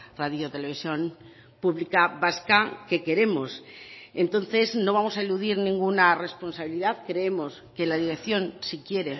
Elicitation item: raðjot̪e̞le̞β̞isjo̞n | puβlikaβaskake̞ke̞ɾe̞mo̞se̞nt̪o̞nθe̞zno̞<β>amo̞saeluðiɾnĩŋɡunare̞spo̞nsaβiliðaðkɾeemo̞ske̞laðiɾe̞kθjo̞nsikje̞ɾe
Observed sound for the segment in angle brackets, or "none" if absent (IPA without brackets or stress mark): β